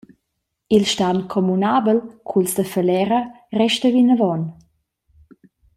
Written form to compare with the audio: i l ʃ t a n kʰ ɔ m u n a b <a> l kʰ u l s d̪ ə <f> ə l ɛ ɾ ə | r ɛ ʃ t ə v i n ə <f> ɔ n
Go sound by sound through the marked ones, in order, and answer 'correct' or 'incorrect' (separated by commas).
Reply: incorrect, correct, incorrect